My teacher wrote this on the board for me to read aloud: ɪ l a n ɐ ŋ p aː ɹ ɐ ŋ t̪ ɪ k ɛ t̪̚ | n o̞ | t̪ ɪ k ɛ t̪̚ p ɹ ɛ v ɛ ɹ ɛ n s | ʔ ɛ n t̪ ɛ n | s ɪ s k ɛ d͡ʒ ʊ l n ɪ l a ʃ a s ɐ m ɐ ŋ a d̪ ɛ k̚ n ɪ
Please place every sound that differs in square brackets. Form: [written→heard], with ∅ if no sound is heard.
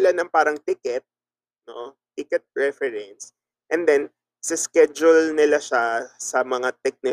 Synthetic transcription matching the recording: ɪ l a n ɐ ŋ p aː [ɹ→ɾ] ɐ ŋ t̪ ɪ k ɛ t̪̚ | n o̞ | t̪ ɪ k ɛ t̪̚ p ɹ ɛ [v→f] ɛ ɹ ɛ n s | ʔ ɛ n [t̪→d̪] ɛ n | s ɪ s k ɛ d͡ʒ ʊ l n ɪ l a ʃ a s ɐ m ɐ ŋ a [d̪→t̪] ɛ k̚ n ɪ